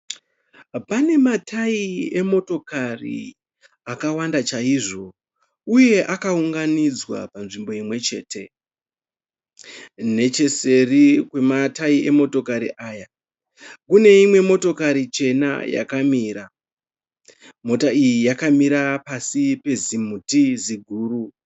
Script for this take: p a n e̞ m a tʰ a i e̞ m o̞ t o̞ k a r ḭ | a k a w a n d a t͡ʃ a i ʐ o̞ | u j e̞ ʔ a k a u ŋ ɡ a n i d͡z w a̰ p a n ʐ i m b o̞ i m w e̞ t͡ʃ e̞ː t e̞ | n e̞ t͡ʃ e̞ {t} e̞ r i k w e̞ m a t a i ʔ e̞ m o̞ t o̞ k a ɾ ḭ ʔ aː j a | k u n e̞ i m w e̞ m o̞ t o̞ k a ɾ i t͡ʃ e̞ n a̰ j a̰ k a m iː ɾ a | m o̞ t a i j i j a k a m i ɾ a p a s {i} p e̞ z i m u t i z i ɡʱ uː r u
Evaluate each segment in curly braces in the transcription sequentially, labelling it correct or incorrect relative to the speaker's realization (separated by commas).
incorrect, correct